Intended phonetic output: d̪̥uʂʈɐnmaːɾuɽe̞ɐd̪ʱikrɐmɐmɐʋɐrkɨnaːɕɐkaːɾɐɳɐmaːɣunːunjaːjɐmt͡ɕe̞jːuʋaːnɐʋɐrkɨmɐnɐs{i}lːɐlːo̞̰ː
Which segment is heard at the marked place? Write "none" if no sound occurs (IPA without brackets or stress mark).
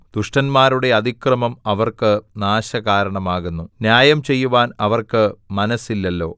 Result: i